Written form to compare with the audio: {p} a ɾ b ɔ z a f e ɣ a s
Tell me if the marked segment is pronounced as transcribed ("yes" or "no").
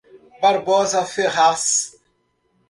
no